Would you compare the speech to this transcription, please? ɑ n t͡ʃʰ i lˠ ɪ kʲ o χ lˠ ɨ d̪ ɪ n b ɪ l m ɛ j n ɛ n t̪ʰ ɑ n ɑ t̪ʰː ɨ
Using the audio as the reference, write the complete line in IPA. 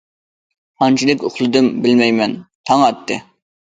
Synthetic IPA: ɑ n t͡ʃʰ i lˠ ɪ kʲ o χ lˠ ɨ d̪ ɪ m b ɪ l m ɛ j m ɛ n t̪ʰ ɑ ŋ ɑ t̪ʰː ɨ

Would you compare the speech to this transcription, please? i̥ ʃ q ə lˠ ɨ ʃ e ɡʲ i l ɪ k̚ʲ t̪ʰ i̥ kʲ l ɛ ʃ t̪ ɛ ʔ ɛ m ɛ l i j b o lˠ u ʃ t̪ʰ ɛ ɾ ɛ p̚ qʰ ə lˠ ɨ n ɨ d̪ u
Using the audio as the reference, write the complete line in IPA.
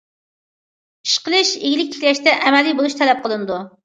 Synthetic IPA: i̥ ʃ q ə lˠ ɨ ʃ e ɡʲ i l ɪ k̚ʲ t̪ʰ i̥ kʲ l ɛ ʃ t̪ ɛ ʔ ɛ m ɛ l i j b o lˠ u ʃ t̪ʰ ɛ l ɛ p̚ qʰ ə lˠ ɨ n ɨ d̪ u

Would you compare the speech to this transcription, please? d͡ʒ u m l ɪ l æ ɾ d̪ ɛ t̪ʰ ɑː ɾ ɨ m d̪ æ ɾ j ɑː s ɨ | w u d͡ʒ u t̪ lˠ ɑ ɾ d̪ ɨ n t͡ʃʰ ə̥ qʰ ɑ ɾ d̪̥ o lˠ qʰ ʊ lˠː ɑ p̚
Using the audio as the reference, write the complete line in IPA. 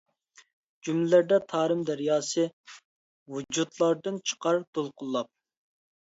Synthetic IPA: d͡ʒ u m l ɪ l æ ɾ d̪ ɛ t̪ʰ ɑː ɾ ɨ m d̪ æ ɾ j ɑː s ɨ | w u d͡ʒ u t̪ lˠ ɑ ɾ d̪ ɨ n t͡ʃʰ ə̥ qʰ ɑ ɾ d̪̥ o lˠ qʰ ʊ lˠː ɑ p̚

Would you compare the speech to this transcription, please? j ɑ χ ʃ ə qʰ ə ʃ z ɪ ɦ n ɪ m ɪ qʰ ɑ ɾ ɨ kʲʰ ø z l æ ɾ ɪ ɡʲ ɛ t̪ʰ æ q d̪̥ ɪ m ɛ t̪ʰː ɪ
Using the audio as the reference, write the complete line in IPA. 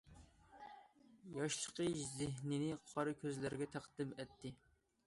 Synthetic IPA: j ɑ ʃ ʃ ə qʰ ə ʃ z ɪ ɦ n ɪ n ɪ qʰ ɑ ɾ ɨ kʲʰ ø z l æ ɾ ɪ ɡʲ ɛ t̪ʰ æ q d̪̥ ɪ m ɛ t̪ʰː ɪ

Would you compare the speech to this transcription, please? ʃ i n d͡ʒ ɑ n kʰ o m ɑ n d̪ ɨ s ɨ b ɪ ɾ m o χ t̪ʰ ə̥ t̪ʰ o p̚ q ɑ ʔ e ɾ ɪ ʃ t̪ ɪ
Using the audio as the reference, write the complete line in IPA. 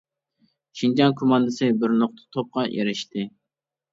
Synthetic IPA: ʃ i n d͡ʒ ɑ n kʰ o m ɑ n d̪ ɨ s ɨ b ɪ ɾ n o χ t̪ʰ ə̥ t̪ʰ o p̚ q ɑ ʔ e ɾ ɪ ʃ t̪ ɪ

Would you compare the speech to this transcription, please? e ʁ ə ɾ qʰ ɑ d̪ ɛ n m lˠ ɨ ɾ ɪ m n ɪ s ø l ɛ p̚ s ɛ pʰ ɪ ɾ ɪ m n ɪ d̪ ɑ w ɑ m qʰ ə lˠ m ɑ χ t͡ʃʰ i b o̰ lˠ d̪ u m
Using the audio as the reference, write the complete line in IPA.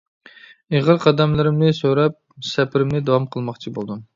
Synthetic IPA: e ʁ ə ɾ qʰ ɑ d̪ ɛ m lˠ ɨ ɾ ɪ m n ɪ s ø ɾ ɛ p̚ s ɛ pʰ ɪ ɾ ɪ m n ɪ d̪ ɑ w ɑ m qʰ ə lˠ m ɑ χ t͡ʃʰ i b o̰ lˠ d̪ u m

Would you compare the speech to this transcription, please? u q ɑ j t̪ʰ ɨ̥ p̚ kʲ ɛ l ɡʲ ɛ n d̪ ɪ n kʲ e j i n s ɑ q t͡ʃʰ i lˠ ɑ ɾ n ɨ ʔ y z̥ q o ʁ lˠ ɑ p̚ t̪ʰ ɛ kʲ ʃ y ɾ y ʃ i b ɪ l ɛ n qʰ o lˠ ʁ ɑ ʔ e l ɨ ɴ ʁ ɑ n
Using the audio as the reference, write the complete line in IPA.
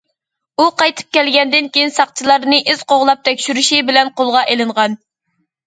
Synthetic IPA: u q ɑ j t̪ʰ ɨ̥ p̚ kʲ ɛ l ɡʲ ɛ n d̪ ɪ n kʲ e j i n s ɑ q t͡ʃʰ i lˠ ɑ ɾ n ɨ ʔ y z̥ q o ʁ lˠ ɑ p̚ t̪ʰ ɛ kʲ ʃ y ɾ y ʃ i b ɪ l ɛ n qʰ o lˠ ʁ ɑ ʔ e l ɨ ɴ ʁ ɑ n

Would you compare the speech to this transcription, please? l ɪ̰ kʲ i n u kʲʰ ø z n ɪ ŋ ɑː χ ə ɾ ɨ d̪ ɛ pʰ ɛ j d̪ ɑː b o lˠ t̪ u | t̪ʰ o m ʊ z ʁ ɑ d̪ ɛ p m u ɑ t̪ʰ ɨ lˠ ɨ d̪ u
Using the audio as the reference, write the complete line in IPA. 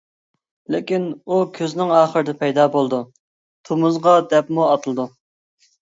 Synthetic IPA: l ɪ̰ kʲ i n u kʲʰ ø z n ɪ ŋ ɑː χ ə ɾ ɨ d̪ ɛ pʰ ɛ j d̪ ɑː b o lˠ d̪ u | t̪ʰ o m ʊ z ʁ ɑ d̪ ɛ p m u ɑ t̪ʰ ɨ lˠ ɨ d̪ u

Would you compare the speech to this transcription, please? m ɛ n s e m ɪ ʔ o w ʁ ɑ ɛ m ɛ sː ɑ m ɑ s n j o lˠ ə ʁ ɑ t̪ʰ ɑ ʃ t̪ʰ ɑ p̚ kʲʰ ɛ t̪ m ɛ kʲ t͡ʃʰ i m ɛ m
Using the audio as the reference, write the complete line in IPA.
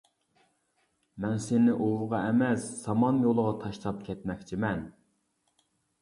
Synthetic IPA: m ɛ n s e n ɪ ʔ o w ʁ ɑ ɛ m ɛ sː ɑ m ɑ n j o lˠ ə ʁ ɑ t̪ʰ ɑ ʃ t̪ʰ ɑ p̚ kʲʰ ɛ t̪ m ɛ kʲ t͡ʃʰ i m ɛ n

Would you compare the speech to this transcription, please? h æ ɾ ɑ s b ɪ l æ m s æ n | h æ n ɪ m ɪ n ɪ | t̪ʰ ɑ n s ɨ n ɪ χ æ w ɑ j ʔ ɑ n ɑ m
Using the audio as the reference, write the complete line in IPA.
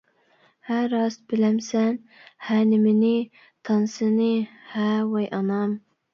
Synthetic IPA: h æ ɾ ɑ s b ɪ l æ m s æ n | h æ n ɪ m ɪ n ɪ | t̪ʰ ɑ n s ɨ n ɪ h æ w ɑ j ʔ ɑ n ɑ m

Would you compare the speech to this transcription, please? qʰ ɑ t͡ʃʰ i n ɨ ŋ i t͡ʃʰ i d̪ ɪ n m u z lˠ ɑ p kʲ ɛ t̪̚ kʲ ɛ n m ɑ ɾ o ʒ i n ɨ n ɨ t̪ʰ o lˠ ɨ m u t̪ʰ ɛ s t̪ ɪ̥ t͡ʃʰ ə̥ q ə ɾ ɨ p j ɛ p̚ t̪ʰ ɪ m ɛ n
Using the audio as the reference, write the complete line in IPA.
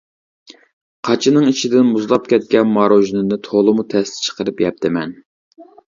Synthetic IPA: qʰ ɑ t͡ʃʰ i n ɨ ŋ i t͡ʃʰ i d̪ ɪ n m u z lˠ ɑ p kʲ ɛ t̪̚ kʲ ɛ n m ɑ ɾ o ʒ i n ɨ n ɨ t̪ʰ o lˠ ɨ m u t̪ʰ ɛ s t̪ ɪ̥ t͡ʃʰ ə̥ q ə ɾ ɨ p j ɛ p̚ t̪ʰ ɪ m ɛ n

